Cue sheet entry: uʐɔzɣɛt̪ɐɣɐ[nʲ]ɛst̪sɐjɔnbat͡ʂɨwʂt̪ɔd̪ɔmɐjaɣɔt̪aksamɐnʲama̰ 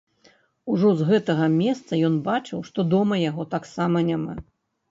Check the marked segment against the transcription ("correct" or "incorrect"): incorrect